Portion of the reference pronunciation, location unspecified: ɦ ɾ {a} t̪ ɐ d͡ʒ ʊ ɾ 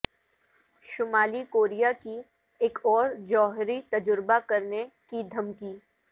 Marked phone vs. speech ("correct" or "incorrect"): incorrect